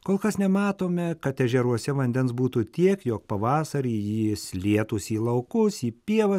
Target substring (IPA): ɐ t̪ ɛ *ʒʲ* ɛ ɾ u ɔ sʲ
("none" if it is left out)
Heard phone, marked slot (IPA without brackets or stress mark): ʒʲ